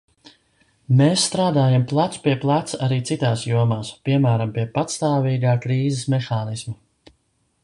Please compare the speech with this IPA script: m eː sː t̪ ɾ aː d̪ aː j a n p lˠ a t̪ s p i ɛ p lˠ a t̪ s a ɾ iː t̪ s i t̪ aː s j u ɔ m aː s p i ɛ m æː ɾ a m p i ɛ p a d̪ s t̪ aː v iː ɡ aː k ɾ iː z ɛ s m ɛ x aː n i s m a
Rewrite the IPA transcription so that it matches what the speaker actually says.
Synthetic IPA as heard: m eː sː t̪ ɾ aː d̪ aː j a m p lˠ a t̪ s p i ɛ p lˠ a t̪ s a ɾ iː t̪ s i t̪ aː s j u ɔ m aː s p i ɛ m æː ɾ a m p i ɛ p a t̪ s t̪ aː v iː ɡ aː k ɾ iː z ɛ s m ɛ x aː n i s m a